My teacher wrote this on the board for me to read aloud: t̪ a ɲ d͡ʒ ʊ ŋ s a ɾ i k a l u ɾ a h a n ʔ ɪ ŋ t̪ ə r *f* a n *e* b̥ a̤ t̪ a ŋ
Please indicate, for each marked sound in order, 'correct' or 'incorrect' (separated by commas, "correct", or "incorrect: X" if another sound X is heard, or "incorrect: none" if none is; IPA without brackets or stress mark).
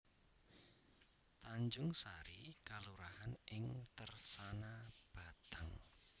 incorrect: s, incorrect: a